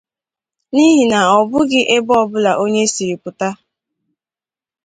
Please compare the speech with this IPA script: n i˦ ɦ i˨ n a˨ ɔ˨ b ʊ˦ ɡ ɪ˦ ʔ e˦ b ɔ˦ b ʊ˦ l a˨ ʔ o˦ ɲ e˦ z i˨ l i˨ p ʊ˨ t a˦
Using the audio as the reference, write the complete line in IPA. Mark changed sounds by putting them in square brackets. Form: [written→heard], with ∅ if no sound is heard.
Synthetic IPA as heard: n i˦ ɦ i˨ n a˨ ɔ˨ b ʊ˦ ɡ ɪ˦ ʔ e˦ b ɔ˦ b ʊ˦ l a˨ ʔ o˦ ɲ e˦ [z→s] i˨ [l→ɾ] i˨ p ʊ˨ t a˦